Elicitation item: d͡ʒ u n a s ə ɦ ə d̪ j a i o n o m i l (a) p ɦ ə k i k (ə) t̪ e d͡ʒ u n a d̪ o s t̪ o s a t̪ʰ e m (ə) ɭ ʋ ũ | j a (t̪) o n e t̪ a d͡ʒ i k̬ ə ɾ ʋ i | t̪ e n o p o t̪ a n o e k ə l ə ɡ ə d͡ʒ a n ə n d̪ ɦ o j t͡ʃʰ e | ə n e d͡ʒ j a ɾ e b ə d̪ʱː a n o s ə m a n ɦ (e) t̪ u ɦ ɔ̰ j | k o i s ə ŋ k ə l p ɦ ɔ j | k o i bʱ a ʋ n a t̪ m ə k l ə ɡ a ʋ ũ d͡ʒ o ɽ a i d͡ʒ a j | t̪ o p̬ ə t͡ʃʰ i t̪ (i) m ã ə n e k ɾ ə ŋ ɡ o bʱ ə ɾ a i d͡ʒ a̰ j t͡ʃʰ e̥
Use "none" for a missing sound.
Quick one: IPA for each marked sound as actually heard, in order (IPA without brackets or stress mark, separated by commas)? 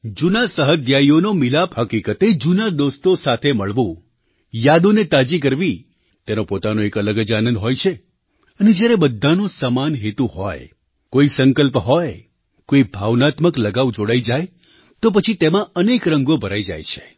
a, ə, ə, d̪, e, e